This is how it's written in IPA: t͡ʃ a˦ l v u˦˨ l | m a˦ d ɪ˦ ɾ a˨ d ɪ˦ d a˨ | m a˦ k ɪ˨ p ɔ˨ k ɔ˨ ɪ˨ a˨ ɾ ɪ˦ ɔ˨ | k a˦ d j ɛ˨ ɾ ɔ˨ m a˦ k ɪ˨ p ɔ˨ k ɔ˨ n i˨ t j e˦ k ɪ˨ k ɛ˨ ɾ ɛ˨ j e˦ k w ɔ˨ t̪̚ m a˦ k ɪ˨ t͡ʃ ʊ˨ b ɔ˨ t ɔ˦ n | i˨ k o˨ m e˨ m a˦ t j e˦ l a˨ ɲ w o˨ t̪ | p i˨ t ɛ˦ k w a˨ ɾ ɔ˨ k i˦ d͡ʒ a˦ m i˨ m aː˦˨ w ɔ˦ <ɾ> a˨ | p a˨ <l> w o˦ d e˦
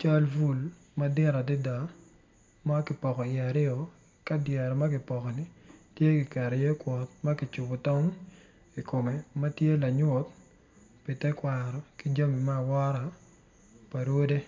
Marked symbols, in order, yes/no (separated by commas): yes, no